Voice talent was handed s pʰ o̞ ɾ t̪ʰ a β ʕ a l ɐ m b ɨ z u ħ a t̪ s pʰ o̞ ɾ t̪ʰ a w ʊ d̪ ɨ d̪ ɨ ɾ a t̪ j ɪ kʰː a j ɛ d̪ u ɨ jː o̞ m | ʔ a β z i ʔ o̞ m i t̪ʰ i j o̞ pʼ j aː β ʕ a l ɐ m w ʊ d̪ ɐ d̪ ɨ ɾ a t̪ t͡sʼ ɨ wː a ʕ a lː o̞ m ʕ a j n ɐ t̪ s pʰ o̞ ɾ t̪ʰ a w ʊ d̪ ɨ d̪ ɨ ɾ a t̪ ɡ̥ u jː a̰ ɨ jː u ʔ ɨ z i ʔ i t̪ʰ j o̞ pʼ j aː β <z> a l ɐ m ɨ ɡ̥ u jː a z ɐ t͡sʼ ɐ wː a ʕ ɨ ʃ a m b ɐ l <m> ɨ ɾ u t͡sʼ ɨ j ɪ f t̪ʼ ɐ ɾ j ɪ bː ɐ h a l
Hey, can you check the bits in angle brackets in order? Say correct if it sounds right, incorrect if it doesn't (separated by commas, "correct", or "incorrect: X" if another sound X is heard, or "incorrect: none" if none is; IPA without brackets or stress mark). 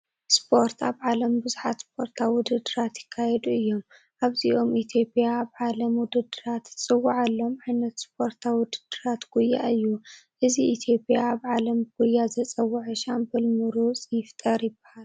incorrect: ʕ, correct